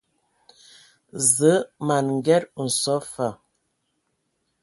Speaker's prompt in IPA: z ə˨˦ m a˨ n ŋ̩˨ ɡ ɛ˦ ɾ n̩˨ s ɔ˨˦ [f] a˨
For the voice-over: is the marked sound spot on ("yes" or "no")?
yes